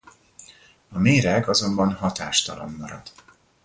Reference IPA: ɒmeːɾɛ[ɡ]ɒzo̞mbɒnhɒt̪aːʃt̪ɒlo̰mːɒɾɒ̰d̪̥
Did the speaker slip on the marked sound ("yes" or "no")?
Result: no